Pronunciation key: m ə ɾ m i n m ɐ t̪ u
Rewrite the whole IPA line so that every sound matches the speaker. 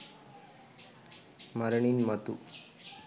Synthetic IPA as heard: m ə ɾ ɳ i n m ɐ t̪ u